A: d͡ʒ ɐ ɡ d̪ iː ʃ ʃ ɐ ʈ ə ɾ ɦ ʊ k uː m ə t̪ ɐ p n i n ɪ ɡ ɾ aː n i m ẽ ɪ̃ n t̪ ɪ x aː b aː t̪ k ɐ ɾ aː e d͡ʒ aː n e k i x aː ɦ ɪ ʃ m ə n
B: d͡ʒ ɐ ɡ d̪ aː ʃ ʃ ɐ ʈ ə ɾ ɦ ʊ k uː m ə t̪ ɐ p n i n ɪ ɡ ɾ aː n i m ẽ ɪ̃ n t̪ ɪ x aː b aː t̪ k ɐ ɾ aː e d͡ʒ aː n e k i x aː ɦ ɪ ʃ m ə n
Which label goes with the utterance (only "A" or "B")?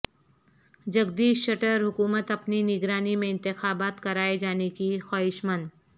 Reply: A